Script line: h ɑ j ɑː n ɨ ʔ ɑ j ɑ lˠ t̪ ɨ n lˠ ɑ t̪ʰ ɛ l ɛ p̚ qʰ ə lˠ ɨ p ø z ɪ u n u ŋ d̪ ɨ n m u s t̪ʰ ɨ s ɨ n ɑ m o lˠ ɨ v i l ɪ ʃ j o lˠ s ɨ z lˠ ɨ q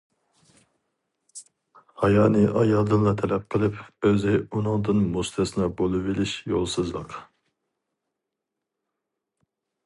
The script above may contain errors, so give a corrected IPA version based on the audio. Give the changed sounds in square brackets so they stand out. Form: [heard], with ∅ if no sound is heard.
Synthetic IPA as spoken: h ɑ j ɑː n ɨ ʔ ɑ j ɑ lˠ [d̪] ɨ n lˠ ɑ t̪ʰ ɛ l ɛ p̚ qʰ ə lˠ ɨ p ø z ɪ u n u ŋ d̪ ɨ n m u s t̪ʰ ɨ s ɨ n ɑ [b] o lˠ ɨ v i l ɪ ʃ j o lˠ s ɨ z lˠ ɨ q